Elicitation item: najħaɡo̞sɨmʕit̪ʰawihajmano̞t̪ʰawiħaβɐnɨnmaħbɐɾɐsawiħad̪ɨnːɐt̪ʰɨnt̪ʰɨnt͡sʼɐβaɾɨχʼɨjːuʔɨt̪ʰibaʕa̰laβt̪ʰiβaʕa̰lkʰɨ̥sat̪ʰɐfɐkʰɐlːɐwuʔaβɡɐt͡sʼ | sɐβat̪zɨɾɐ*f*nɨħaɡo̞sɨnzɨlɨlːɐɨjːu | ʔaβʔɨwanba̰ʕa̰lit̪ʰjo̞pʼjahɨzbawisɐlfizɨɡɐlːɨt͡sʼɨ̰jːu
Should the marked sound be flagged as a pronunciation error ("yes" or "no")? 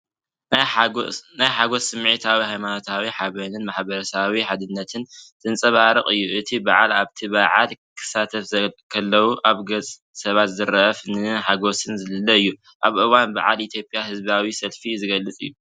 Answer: no